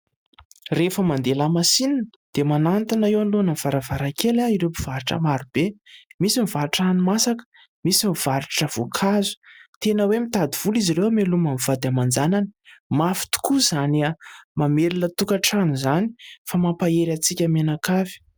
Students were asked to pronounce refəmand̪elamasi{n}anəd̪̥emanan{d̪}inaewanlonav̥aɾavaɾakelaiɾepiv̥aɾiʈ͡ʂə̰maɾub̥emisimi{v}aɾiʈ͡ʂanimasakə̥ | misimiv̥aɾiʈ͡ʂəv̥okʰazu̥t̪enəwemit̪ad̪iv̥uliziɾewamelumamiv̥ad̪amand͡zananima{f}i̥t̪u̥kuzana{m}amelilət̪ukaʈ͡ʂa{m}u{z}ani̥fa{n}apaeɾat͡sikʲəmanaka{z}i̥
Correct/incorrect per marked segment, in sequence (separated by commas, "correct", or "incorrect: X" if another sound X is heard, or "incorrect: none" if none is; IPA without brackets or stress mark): correct, incorrect: t̪, correct, correct, correct, incorrect: n, correct, incorrect: m, incorrect: v